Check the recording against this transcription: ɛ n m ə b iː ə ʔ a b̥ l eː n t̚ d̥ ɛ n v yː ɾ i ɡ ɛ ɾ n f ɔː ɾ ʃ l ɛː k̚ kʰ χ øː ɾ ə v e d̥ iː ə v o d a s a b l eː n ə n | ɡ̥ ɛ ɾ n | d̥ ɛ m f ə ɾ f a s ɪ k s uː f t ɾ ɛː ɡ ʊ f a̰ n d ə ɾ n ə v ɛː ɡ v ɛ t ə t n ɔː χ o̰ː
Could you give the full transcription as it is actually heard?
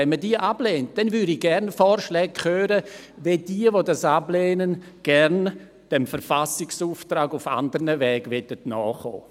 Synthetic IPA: ɛ n m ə d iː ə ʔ a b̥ l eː n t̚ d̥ ɛ n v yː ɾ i ɡ ɛ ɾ n f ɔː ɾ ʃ l ɛː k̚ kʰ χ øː ɾ ə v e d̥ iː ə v o d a s a b l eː n ə n | ɡ̥ ɛ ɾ n | d̥ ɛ m f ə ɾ f a s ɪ k s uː f t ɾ aː ɡ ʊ f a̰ n d ə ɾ n ə v ɛː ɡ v ɛ t ə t n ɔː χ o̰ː